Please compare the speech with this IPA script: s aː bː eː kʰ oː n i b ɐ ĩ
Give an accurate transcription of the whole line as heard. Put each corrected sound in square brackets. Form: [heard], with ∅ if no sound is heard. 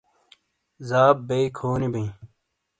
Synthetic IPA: [z] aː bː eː kʰ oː n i b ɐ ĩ

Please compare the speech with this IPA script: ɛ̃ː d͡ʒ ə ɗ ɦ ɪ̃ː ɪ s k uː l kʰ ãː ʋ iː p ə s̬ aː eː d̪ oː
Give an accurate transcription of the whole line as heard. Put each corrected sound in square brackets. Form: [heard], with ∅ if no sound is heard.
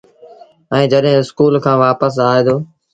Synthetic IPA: ɛ̃ː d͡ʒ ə ɗ ɦ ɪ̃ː ɪ s k uː l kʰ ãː ʋ [aː] p ə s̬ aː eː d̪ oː

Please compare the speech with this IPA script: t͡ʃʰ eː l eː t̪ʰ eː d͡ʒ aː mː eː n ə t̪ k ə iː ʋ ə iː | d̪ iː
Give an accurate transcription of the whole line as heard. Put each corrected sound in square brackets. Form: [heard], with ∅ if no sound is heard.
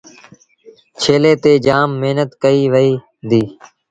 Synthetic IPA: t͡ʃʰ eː l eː [t̪] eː d͡ʒ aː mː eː n ə t̪ k ə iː ʋ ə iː | d̪ iː

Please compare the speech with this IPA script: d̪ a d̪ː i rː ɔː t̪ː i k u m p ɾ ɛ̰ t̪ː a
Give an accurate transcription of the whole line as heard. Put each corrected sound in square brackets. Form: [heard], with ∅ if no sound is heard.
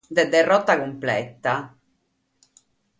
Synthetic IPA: d̪ [ɛ] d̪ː [ɛ] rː [ɔ] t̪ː [a] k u m p [l] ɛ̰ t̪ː a

